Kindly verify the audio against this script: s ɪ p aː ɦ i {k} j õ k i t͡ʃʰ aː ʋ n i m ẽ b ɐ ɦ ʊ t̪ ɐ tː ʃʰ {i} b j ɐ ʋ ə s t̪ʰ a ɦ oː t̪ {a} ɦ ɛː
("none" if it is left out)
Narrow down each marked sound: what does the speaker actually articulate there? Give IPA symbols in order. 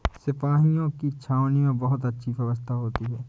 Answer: none, i, i

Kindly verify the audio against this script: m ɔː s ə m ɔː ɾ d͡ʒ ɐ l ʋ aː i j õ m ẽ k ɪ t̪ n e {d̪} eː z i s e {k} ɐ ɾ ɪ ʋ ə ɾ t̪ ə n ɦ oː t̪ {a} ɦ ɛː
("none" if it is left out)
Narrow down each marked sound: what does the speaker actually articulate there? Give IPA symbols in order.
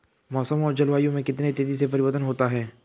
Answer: t̪, p, a

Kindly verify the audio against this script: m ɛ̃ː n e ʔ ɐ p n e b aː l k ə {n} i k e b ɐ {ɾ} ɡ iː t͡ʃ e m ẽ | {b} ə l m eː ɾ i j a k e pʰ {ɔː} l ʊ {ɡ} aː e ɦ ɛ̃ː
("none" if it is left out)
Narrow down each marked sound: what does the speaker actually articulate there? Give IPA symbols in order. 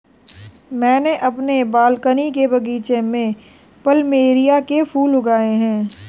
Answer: n, none, p, uː, ɡ

